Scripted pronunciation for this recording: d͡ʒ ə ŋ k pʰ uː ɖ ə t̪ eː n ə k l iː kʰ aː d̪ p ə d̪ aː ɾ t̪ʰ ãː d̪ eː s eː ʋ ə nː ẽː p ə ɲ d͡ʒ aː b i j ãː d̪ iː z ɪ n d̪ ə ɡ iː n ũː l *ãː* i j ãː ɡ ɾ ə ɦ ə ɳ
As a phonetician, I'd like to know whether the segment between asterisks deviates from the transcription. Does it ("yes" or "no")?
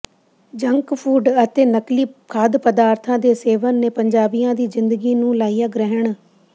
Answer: yes